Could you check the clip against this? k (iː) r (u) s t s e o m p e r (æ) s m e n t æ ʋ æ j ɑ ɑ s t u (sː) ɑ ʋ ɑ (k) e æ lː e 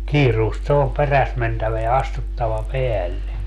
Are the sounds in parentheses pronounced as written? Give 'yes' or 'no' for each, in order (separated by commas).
yes, no, yes, no, no